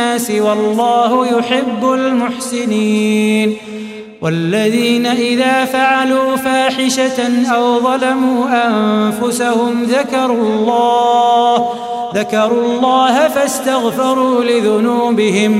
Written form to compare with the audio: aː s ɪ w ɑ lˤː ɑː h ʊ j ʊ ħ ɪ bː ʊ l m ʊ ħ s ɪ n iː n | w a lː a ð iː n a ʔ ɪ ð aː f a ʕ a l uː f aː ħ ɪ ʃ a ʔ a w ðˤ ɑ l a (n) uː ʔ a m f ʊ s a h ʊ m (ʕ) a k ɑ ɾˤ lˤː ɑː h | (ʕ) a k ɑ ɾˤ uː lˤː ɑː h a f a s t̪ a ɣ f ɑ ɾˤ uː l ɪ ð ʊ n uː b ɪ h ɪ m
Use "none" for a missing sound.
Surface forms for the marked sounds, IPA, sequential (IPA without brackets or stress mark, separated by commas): m, ð, ð